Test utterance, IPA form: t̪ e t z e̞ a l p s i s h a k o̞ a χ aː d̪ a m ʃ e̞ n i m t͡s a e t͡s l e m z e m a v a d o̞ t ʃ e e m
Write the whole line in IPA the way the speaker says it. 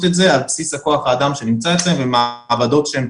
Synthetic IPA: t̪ e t z e̞ a l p s i s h a k o̞ a χ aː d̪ a m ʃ e̞ n i m t͡s a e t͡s l e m v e m a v a d o̞ t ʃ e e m